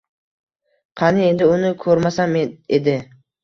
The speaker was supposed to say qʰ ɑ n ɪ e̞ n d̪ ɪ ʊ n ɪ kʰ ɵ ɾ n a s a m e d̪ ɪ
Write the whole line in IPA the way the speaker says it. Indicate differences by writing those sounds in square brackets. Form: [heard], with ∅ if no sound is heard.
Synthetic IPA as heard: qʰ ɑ n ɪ e̞ n d̪ ɪ ʊ n ɪ kʰ ɵ ɾ [m] a s a m e d̪ ɪ